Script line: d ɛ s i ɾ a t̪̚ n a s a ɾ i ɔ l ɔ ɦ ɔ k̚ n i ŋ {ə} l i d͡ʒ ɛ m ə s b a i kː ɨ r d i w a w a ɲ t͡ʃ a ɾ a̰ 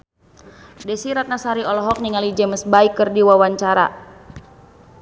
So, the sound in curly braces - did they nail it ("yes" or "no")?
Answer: no